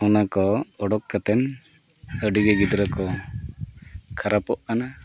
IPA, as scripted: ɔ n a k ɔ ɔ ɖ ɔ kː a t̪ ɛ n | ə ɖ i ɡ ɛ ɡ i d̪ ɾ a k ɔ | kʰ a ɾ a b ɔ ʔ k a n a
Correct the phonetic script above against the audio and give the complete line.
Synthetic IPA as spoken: ɔ n a k ɔ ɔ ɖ ɔ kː a t̪ ɛ n | ə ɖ i ɡ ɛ ɡ i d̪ ɾ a k ɔ | kʰ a ɾ a p ɔ ʔ k a n a